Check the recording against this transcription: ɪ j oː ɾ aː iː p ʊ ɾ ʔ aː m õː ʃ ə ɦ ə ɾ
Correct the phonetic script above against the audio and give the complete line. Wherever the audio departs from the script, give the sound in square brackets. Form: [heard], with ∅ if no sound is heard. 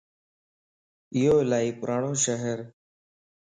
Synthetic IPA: ɪ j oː [l] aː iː p ʊ ɾ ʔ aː [ɳ] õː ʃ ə ɦ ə ɾ

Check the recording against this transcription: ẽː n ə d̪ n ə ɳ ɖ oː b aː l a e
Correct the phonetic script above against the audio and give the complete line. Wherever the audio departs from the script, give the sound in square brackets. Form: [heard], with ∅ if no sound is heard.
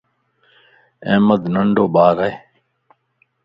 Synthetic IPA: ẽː [m] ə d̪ n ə ɳ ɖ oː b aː [ɾ] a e

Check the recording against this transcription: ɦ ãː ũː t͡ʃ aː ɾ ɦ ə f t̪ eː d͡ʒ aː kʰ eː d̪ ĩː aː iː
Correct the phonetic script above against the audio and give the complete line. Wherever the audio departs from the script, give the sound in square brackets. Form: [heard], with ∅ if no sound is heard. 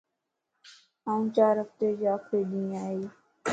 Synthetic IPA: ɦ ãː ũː t͡ʃ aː ɾ ɦ ə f t̪ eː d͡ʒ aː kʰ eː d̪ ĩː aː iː

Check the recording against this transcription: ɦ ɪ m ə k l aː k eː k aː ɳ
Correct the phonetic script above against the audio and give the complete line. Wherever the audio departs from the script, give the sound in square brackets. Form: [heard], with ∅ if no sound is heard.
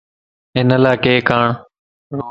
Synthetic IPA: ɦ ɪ [n] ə [∅] l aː k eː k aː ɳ

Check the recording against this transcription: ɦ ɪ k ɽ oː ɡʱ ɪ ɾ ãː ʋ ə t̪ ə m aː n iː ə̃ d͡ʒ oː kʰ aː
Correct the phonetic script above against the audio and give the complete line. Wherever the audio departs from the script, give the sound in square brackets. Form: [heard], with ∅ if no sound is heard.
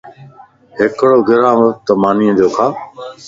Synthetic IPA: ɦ ɪ k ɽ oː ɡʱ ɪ ɾ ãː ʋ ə t̪ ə m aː n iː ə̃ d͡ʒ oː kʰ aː

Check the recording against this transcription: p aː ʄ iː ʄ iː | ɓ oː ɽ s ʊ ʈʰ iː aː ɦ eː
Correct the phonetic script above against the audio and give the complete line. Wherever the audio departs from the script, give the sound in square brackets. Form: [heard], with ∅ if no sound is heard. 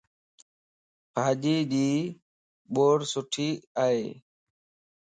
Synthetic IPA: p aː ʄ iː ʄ iː | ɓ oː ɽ s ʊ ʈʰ iː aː ɦ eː

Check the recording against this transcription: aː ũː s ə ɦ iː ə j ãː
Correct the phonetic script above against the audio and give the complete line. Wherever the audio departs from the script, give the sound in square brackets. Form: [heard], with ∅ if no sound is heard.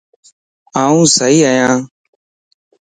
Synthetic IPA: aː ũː s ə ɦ iː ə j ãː

